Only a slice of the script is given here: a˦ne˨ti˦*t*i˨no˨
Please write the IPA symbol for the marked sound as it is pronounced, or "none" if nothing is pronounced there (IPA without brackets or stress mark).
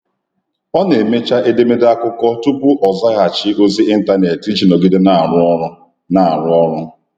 t͡ʃ